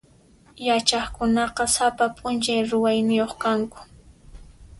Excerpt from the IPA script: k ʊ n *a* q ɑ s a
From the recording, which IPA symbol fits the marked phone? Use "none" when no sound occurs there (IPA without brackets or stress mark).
ɑ